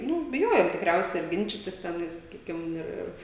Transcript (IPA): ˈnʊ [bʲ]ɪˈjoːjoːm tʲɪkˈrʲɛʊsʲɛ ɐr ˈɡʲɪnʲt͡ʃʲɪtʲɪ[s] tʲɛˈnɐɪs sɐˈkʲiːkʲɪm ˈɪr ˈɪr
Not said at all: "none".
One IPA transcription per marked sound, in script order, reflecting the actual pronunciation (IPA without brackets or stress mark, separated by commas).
bʲ, s